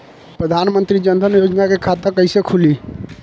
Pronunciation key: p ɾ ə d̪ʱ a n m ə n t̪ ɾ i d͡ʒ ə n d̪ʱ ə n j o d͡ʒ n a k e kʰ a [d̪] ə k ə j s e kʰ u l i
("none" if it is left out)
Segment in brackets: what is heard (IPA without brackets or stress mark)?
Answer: t̪